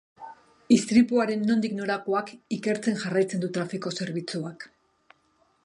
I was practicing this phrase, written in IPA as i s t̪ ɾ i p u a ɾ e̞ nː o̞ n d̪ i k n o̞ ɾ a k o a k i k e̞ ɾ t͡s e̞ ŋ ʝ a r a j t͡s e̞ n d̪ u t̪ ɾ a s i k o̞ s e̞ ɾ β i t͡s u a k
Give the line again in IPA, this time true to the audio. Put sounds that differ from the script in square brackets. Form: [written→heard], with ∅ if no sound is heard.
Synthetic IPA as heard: i s t̪ ɾ i p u a ɾ e̞ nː o̞ n d̪ i k n o̞ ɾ a k o a k i k e̞ ɾ t͡s e̞ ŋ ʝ a r a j t͡s e̞ n d̪ u t̪ ɾ a [s→f] i k o̞ s e̞ ɾ β i t͡s u a k